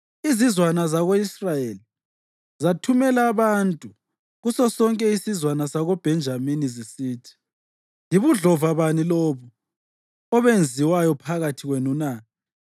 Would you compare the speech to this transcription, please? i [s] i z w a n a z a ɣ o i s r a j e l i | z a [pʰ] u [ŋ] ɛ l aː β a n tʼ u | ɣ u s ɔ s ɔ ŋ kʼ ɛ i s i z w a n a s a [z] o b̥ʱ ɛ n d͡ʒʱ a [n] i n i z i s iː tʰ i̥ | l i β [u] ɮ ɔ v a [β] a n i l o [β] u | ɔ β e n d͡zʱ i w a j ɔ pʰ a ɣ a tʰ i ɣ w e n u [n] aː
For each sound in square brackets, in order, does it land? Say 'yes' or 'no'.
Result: no, no, no, no, no, yes, yes, yes, yes

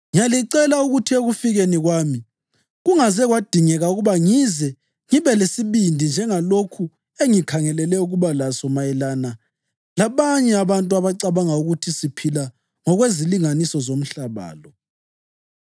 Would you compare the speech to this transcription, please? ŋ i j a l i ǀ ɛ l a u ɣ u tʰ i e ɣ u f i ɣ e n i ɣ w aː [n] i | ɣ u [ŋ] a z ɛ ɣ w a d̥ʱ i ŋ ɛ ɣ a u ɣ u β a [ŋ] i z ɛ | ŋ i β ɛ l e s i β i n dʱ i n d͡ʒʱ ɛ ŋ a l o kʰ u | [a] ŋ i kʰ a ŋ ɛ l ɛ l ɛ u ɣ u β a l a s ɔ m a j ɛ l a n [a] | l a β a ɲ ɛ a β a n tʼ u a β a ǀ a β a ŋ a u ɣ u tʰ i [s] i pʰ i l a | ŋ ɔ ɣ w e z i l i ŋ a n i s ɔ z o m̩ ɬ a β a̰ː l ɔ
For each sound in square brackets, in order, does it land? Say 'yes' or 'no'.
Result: no, yes, yes, no, yes, yes

